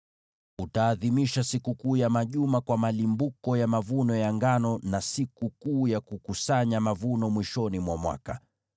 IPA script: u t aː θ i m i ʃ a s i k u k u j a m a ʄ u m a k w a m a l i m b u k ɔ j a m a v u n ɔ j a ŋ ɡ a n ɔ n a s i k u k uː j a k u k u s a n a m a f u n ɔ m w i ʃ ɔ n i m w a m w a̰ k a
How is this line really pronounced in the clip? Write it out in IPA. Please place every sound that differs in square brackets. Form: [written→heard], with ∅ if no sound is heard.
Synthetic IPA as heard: u t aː [θ→ð] i m i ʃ a s i k u k [u→uː] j a m a ʄ u m a k w a m a l i m b u k ɔ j a m a v u n ɔ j a ŋ ɡ a n ɔ n a s i k u k uː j a k u k u s a [n→ɲ] a m a [f→v] u n ɔ m w i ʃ ɔ n i m w a m w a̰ k a